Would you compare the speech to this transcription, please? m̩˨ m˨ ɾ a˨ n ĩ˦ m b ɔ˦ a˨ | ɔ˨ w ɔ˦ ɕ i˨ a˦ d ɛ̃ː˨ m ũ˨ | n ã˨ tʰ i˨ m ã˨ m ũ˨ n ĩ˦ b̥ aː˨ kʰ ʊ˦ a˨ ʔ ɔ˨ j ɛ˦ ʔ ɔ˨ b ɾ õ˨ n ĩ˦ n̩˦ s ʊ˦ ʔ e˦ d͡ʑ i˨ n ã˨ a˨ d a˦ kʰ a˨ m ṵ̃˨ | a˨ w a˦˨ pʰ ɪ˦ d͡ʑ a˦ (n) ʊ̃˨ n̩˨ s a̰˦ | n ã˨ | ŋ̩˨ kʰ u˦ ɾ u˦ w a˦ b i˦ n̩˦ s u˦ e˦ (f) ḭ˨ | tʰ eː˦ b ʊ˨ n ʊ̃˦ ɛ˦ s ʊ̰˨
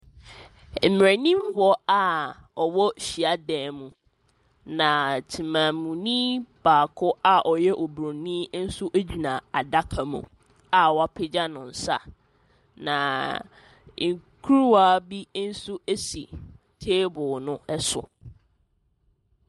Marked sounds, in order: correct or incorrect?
correct, incorrect

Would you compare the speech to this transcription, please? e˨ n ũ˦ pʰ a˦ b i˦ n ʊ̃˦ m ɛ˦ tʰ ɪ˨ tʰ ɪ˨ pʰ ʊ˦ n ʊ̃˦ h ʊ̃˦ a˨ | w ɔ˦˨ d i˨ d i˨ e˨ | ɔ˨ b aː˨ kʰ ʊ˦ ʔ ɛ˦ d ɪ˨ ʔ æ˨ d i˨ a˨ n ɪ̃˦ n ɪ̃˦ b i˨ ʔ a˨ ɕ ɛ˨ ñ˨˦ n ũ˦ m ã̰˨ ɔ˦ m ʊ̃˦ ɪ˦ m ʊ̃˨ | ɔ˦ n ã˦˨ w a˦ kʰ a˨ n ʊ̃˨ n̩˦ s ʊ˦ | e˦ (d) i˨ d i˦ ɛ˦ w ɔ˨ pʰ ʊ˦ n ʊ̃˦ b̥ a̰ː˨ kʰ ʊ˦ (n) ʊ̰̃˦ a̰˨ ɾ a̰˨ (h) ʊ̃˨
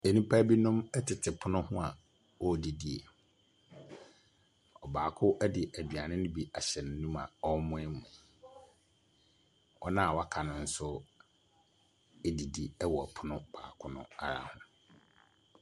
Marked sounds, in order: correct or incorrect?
correct, correct, correct

